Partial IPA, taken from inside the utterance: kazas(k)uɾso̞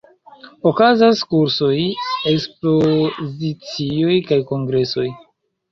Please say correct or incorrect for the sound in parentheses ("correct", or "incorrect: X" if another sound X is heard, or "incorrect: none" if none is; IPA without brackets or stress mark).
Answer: correct